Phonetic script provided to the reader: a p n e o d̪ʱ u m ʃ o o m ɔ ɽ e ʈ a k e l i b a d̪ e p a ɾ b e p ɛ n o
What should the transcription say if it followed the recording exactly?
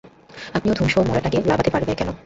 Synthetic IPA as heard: a p n i o d̪ʱ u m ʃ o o m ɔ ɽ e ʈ a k e l a b a t̪ e p a ɾ b e k ɛ n o